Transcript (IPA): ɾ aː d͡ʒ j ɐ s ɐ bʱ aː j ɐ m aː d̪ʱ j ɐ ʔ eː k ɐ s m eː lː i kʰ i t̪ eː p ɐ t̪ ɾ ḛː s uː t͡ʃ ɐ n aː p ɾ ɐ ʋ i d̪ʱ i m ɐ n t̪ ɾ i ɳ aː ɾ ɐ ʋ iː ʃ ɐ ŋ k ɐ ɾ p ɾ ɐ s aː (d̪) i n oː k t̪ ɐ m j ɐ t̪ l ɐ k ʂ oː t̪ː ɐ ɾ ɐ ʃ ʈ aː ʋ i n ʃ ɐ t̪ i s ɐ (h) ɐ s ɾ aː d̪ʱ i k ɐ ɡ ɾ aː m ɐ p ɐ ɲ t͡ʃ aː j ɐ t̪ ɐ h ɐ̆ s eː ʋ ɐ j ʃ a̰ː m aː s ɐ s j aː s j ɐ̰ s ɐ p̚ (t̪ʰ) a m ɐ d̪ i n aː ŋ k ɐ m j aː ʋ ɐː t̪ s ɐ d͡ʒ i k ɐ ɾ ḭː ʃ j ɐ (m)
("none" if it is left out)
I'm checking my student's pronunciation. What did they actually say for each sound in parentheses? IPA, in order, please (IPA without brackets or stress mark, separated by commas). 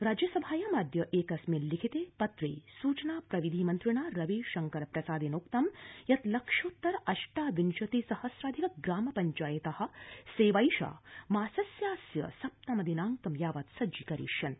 d̪, h, t̪, n